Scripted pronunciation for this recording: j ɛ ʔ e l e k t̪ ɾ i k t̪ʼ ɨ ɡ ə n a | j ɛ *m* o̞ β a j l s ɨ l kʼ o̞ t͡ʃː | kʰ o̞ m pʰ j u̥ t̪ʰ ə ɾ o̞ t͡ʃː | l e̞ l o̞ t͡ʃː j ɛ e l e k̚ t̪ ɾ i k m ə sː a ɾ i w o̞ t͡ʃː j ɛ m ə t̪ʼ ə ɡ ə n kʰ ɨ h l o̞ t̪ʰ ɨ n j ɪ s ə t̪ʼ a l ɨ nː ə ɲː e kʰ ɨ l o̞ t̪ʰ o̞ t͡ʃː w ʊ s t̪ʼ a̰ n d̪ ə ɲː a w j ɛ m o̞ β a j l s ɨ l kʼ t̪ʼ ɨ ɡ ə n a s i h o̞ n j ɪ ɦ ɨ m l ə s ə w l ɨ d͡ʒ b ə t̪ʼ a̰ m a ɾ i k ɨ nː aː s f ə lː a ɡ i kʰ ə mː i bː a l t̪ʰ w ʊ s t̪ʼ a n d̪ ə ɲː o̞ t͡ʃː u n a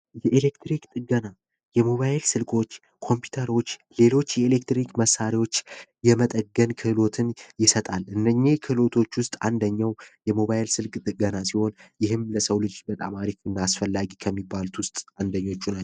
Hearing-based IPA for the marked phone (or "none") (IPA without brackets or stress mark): m